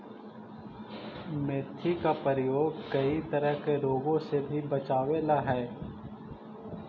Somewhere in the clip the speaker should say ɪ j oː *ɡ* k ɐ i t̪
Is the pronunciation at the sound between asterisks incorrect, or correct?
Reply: correct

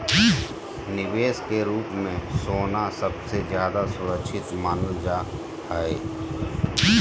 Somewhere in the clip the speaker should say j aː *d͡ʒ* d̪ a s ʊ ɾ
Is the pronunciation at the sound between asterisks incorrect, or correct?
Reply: incorrect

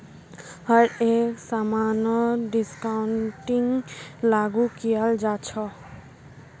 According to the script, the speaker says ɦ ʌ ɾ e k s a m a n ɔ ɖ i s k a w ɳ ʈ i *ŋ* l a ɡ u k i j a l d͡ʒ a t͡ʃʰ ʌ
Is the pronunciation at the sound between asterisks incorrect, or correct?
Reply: correct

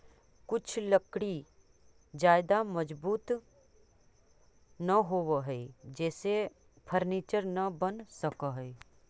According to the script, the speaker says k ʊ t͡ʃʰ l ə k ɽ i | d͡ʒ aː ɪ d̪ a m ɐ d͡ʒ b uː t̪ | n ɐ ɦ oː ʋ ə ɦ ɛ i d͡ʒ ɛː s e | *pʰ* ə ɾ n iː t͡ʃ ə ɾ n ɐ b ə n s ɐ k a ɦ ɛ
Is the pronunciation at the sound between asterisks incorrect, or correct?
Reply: correct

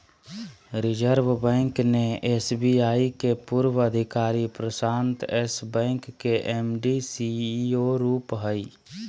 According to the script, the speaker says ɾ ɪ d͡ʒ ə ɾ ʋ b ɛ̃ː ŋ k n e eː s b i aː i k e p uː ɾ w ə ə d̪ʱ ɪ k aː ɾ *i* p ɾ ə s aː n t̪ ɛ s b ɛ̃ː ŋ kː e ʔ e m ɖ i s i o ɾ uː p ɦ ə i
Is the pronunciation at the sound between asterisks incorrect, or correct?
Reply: correct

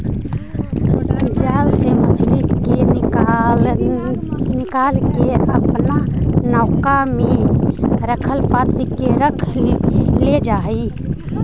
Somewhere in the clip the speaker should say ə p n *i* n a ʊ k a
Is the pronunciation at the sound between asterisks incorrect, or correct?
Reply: incorrect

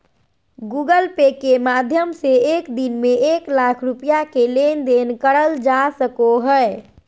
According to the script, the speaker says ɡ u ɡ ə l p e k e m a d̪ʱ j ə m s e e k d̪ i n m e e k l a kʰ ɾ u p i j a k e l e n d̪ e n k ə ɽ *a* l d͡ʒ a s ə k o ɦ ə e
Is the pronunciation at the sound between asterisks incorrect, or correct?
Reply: incorrect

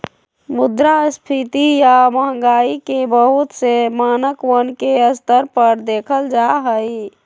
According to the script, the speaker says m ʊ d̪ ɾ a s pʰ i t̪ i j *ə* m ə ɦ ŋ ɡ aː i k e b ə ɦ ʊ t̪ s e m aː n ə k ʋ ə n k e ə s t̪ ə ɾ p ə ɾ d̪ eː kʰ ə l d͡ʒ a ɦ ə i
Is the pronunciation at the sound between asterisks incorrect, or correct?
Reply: incorrect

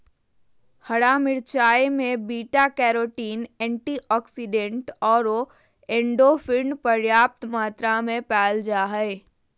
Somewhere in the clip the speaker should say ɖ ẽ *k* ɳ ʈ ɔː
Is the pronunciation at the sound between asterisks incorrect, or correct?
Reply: incorrect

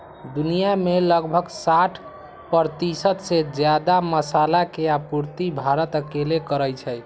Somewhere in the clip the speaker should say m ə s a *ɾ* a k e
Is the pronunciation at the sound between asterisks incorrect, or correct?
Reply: incorrect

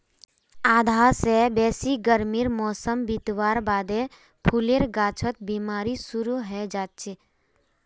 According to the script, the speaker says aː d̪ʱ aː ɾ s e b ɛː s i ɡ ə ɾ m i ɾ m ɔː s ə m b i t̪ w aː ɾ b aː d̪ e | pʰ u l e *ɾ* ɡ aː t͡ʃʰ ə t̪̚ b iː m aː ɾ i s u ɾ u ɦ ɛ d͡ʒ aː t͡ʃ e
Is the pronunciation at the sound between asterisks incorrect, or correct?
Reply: correct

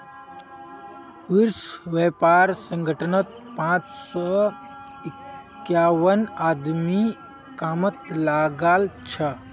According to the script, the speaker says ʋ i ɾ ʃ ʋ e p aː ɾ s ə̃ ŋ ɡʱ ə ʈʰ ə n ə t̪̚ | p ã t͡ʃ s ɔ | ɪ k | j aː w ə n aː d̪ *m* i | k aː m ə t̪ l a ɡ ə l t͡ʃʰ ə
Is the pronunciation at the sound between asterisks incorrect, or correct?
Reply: correct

